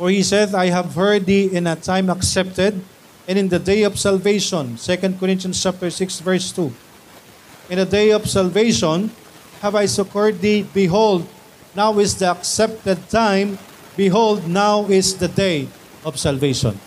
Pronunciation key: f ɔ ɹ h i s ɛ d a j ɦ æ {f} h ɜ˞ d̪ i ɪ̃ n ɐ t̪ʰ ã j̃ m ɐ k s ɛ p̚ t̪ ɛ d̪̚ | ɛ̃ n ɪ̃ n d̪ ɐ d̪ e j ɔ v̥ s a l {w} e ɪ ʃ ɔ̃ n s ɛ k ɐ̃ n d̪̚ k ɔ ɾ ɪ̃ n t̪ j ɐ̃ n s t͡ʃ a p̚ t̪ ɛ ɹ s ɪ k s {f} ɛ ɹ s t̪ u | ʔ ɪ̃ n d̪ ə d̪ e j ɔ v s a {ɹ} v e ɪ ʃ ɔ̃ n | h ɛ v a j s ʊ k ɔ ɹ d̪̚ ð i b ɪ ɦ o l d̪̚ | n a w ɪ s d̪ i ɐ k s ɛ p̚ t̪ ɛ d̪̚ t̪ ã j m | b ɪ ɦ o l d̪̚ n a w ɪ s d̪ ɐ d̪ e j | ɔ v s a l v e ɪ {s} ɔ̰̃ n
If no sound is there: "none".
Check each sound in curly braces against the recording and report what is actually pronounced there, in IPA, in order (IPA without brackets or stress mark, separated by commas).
v, v, v, l, ʃ